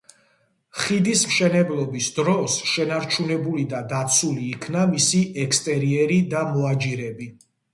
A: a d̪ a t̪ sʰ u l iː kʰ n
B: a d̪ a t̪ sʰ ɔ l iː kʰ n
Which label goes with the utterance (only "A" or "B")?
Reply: A